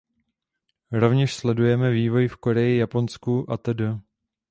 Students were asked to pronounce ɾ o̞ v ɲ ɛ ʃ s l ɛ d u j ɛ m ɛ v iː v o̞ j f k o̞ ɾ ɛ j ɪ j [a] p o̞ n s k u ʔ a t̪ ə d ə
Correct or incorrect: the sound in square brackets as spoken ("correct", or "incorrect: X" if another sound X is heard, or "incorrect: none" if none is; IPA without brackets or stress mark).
correct